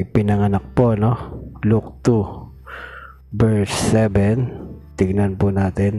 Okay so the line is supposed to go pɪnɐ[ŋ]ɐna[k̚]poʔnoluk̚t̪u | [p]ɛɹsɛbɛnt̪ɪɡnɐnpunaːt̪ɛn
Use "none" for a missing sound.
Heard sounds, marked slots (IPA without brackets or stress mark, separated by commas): ŋ, k̚, b